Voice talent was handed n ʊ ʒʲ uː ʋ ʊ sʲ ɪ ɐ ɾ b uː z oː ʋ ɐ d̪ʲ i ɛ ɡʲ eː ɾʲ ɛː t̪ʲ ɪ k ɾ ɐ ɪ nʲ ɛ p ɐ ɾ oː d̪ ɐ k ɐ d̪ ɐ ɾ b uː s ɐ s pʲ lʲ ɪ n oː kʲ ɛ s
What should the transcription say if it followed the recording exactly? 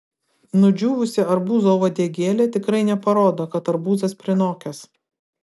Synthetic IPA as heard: n ʊ d͡ʒʲ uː ʋ ʊ sʲ ɪ ɐ ɾ b uː z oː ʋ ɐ d̪ʲ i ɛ ɡʲ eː lʲ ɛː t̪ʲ ɪ k ɾ ɐ ɪ nʲ ɛ p ɐ ɾ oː d̪ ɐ k ɐ t̪ ɐ ɾ b uː z ɐ s pʲ ɾʲ ɪ n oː kʲ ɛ s